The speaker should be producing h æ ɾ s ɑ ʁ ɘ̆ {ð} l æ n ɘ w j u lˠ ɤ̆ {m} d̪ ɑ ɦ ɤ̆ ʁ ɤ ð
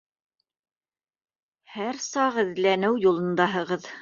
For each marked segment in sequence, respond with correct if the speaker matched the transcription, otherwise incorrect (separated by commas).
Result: correct, incorrect